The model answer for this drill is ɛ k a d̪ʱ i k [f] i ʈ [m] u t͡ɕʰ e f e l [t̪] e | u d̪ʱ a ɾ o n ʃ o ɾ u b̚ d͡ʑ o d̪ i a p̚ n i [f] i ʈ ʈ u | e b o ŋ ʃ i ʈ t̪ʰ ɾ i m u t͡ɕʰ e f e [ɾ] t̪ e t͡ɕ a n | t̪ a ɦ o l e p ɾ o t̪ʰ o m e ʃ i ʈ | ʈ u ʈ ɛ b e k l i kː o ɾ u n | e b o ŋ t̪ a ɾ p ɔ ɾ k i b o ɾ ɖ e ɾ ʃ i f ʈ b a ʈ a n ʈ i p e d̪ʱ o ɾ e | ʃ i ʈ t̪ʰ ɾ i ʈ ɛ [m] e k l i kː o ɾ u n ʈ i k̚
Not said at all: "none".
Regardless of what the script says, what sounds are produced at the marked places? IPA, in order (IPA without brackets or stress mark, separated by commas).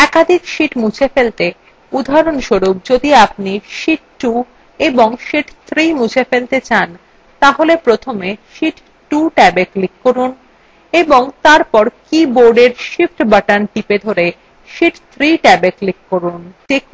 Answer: ʃ, m, t̪, ʃ, l, b